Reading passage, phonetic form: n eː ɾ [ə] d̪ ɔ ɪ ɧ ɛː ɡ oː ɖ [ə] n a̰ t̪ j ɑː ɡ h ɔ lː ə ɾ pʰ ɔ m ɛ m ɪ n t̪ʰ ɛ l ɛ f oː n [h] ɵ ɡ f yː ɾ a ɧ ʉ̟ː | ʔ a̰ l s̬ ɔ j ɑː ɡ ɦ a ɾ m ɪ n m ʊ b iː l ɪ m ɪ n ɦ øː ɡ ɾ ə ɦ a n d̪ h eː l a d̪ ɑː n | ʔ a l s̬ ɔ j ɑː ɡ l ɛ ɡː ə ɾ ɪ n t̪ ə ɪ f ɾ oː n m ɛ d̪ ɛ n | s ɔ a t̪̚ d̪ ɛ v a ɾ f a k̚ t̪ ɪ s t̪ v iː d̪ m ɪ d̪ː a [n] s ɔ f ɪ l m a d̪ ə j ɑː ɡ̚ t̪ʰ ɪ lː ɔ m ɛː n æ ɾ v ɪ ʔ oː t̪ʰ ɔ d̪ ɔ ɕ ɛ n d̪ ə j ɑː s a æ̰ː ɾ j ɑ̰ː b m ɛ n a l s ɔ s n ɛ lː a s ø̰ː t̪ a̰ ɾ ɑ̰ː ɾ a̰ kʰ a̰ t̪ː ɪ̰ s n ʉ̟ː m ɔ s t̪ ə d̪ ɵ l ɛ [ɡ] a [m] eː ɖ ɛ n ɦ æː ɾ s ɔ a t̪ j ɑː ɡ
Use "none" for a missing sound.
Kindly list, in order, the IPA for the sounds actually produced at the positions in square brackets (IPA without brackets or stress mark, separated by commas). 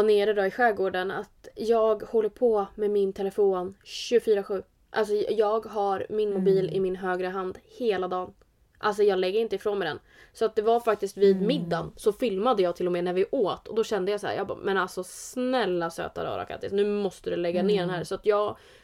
ə, ə, ɕ, n, ɡː, n